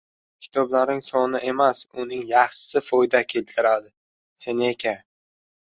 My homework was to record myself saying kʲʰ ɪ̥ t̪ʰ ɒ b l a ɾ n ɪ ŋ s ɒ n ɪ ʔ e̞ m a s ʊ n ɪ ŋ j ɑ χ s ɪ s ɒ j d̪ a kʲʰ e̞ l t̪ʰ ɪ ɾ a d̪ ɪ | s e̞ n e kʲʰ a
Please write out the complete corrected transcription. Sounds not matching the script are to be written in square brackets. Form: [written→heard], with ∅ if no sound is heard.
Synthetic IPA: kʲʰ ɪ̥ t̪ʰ ɒ b l a ɾ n ɪ ŋ s ɒ n ɪ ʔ e̞ m a s ʊ n ɪ ŋ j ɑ χ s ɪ [s→f] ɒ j d̪ a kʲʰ e̞ l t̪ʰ ɪ ɾ a d̪ ɪ | s e̞ n e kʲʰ a